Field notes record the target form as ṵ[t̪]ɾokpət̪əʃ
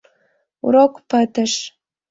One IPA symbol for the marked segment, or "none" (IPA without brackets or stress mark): none